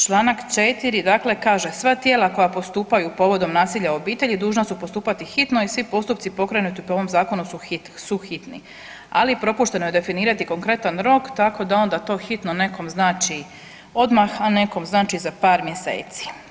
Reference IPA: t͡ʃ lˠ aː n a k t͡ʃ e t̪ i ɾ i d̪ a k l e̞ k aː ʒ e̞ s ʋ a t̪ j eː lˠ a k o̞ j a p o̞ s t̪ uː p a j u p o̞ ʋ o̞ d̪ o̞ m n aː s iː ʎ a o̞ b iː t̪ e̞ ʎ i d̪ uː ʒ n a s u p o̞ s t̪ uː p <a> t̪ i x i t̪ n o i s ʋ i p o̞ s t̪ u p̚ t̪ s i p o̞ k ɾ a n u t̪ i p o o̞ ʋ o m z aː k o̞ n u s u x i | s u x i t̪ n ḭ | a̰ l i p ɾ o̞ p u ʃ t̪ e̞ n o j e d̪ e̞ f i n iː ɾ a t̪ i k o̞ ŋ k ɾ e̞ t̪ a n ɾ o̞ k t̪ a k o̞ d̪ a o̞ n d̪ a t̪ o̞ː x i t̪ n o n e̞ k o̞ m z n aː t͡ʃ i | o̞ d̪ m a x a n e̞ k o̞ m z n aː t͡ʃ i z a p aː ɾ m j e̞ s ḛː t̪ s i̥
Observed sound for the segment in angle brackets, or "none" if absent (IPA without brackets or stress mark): a